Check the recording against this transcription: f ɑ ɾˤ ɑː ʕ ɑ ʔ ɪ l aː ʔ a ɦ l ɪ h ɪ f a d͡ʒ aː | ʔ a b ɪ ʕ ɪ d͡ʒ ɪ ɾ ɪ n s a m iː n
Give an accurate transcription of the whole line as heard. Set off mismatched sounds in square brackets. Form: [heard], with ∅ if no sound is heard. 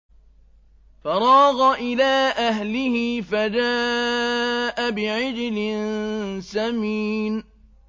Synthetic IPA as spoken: f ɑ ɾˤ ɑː [ɣ] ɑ ʔ ɪ l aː ʔ a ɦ l ɪ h ɪ f a d͡ʒ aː | ʔ a b ɪ ʕ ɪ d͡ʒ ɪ [l] ɪ n s a m iː n